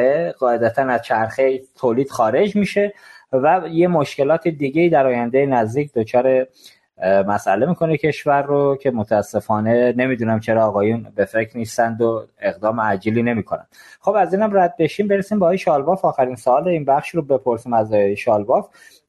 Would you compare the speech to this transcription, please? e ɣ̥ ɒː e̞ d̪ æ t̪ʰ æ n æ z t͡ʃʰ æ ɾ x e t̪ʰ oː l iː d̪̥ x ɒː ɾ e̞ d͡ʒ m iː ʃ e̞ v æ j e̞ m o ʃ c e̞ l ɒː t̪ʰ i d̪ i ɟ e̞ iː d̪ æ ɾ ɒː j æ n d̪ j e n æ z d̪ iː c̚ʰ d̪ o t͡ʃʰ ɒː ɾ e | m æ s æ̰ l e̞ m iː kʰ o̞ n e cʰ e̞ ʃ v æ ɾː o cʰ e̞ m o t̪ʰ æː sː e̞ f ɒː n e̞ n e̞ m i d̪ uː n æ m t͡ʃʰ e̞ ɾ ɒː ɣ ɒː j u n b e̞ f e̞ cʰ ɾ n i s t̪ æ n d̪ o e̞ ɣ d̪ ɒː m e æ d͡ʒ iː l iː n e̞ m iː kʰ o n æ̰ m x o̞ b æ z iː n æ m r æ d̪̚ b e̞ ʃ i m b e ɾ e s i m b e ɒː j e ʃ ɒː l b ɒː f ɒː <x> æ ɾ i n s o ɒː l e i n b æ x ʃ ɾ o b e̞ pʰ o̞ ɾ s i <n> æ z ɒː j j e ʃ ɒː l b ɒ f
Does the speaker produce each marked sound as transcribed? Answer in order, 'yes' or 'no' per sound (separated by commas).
yes, no